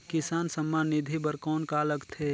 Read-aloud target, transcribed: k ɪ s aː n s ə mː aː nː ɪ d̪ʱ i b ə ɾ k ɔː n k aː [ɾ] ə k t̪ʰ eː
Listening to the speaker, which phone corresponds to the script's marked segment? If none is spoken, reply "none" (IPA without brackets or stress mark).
l